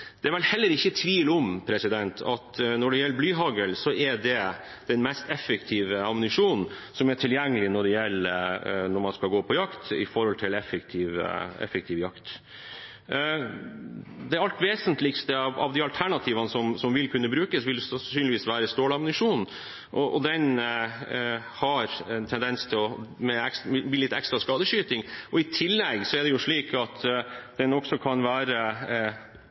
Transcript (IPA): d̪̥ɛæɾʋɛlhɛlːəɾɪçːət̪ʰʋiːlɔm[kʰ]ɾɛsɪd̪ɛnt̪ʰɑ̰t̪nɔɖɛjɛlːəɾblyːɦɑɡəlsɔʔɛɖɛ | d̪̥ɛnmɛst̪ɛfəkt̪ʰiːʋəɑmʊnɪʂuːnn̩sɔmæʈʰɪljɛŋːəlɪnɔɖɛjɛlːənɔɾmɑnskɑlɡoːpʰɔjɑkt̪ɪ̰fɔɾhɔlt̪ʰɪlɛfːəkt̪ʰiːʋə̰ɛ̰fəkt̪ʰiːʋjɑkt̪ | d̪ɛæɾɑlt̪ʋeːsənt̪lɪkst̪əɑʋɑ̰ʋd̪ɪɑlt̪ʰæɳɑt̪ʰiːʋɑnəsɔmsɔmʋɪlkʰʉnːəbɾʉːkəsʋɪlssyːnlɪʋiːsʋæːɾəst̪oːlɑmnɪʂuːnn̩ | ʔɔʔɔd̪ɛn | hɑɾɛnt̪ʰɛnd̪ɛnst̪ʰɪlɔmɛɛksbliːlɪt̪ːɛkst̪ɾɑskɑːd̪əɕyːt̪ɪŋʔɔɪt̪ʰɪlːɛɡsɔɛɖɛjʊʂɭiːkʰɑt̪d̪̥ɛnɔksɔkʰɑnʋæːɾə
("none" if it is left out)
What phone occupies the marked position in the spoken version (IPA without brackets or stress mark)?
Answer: pʰ